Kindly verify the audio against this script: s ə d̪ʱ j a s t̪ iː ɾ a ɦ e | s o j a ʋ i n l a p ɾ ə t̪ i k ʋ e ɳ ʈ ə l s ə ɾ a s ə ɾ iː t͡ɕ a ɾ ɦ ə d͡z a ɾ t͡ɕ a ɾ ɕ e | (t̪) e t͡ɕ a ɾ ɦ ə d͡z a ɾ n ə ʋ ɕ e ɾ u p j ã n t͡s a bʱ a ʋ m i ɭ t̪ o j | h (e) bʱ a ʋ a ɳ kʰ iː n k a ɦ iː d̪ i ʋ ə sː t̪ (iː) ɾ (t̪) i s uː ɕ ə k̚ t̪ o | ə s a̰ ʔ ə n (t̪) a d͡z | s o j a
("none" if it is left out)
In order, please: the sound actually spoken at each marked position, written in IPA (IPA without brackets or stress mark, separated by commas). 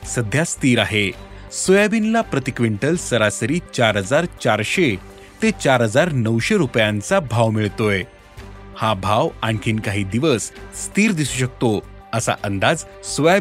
t̪, a, iː, d̪, d̪